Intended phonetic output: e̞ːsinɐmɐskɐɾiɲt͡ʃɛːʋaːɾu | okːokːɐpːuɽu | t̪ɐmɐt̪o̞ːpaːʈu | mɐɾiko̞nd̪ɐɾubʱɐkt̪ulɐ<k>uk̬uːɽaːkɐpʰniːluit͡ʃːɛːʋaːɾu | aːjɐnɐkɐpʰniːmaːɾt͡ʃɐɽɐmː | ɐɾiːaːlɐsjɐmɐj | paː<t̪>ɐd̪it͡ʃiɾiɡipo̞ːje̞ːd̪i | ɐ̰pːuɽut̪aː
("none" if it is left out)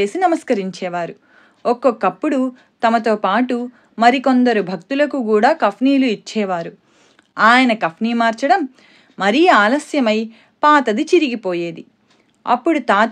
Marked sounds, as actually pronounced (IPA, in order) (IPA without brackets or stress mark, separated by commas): k, t̪